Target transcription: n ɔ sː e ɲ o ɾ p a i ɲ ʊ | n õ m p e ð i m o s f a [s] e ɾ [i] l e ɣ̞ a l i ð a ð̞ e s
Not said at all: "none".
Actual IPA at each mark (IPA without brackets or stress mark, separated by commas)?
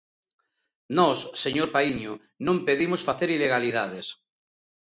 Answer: θ, i